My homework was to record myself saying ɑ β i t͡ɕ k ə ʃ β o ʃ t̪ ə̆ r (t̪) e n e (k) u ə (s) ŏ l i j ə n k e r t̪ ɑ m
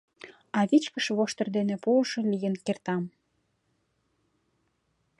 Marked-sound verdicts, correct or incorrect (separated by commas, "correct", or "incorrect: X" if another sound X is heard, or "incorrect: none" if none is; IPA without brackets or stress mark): incorrect: d̪, incorrect: p, incorrect: ʃ